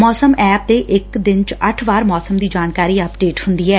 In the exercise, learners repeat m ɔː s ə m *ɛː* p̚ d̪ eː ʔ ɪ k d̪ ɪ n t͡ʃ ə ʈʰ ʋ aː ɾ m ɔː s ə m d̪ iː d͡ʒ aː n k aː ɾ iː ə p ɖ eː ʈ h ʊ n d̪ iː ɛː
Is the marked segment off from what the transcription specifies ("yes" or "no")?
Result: no